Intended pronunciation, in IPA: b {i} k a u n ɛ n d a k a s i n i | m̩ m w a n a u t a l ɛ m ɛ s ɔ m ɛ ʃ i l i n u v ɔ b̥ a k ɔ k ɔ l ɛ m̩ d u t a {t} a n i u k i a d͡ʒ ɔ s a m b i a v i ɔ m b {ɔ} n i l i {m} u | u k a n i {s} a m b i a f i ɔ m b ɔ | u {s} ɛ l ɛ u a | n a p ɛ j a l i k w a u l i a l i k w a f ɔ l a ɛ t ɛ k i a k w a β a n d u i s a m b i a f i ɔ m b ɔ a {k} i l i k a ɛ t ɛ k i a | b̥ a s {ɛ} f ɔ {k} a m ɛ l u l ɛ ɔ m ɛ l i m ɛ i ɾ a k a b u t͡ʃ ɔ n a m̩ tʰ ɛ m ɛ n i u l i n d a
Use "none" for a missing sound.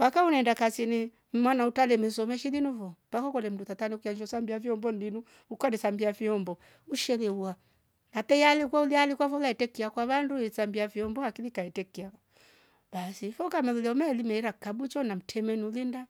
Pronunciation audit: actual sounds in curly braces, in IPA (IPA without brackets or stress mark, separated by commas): a, t, ɔ, n, s, ʃ, k, i, k